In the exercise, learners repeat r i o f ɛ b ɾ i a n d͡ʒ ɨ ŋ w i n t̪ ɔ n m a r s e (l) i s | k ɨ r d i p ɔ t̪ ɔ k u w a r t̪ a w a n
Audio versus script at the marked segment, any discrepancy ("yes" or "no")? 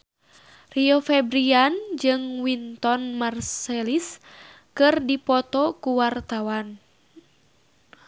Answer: no